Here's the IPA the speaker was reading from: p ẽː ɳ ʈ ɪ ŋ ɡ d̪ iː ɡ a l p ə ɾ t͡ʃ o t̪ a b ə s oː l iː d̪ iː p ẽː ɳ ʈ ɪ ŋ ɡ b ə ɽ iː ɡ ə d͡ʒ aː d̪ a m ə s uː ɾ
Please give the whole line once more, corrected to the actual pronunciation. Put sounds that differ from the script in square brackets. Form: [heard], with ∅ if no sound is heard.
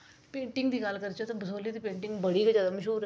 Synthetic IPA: p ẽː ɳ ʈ ɪ ŋ ɡ d̪ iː ɡ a l [k] ə ɾ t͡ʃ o t̪ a b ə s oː l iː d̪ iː p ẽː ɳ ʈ ɪ ŋ ɡ b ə ɽ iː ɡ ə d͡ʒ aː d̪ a m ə [ʃ] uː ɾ